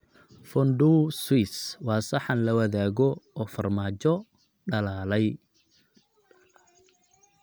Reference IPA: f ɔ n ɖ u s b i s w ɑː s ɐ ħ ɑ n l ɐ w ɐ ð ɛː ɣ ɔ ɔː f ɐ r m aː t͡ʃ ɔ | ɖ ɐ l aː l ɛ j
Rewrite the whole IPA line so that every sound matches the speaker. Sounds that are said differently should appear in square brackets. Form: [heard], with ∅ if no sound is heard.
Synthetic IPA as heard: f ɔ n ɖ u s [w] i s w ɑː s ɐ ħ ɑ n l ɐ w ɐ ð [aː] ɣ ɔ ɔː f ɐ r m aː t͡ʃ ɔ | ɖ ɐ l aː l ɛ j

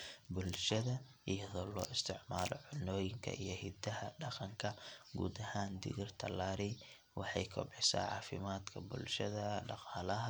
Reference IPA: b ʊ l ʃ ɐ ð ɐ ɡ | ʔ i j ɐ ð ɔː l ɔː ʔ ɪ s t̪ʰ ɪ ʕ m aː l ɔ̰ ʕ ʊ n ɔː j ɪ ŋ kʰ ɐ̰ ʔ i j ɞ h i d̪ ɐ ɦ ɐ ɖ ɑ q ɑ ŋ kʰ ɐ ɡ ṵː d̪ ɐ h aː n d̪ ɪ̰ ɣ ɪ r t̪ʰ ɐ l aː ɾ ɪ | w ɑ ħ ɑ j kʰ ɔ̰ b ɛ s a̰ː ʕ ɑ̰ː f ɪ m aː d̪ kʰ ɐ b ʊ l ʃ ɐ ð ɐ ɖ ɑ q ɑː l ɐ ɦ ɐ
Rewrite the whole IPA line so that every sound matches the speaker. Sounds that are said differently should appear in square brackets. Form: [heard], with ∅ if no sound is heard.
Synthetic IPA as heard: b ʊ l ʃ ɐ ð ɐ [∅] | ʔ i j ɐ ð ɔː l ɔː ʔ ɪ s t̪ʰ ɪ ʕ m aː l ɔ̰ ʕ ʊ n ɔː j ɪ ŋ kʰ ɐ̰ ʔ i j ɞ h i d̪ ɐ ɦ ɐ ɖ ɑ q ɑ ŋ kʰ ɐ ɡ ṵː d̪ ɐ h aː n d̪ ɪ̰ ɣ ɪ r t̪ʰ ɐ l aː ɾ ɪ | w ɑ ħ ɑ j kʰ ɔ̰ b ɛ s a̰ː ʕ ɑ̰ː f ɪ m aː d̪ kʰ ɐ b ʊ l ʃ ɐ ð ɐ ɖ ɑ q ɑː l ɐ ɦ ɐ

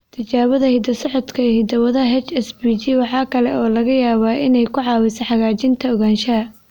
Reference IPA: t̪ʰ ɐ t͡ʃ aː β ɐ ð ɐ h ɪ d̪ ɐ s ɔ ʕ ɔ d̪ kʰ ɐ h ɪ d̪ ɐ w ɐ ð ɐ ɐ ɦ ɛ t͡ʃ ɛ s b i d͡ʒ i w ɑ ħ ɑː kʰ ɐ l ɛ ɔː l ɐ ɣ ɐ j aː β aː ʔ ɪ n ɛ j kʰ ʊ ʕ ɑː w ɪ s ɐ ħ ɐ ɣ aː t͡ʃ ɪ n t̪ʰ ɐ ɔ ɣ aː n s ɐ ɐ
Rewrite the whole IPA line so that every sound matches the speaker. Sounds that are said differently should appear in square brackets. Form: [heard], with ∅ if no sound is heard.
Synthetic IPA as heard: t̪ʰ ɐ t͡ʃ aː β ɐ ð ɐ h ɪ d̪ ɐ s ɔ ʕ ɔ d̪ kʰ ɐ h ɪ d̪ ɐ w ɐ ð ɐ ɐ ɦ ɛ t͡ʃ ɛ s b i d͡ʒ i w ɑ ħ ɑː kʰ ɐ l ɛ ɔː l ɐ ɣ ɐ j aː β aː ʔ ɪ n ɛ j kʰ ʊ ʕ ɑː w ɪ s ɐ ħ [ɑ] ɣ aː t͡ʃ ɪ n t̪ʰ ɐ ɔ ɣ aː n [ʃ] ɐ ɐ

